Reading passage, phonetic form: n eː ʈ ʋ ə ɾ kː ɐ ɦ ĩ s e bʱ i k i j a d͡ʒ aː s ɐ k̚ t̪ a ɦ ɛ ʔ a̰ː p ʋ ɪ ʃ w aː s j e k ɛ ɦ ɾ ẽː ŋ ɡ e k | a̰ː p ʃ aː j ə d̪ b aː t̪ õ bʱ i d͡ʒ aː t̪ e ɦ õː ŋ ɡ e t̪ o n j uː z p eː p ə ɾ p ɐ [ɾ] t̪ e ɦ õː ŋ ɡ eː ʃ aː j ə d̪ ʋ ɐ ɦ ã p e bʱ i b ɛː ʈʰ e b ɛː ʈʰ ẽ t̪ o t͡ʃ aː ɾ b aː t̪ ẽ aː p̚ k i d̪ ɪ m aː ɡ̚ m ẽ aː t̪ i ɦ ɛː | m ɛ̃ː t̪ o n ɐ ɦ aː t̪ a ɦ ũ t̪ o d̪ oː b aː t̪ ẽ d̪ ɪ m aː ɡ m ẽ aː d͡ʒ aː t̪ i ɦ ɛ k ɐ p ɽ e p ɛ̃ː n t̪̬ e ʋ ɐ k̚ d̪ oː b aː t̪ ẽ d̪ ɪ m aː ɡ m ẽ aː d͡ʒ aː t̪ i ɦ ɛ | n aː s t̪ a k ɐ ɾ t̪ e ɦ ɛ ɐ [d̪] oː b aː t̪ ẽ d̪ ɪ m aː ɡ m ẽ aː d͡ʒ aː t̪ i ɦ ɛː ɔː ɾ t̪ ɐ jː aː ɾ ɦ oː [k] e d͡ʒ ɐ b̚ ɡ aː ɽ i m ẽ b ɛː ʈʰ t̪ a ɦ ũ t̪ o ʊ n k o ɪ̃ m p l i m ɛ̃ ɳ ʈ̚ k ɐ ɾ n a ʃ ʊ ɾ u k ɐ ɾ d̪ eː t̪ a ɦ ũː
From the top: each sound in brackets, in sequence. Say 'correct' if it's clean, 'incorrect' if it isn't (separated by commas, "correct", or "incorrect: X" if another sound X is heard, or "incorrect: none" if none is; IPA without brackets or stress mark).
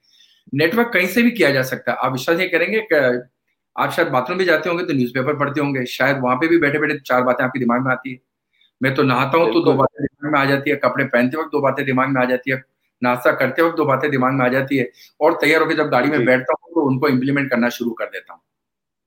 incorrect: ɽ, correct, correct